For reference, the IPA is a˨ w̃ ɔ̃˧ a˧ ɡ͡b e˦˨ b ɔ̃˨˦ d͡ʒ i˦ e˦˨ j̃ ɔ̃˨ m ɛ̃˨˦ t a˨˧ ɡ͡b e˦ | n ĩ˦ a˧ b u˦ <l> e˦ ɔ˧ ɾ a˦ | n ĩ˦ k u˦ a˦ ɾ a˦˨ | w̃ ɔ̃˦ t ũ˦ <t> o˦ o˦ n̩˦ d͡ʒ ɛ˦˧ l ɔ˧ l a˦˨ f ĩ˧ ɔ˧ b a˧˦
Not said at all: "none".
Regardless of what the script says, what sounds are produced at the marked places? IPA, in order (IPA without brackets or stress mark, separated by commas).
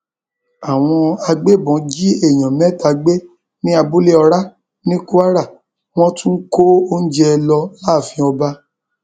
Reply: l, k